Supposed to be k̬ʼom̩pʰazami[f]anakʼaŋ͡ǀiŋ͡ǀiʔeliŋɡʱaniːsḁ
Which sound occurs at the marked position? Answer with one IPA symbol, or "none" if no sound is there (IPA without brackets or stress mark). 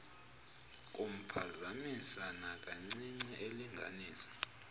s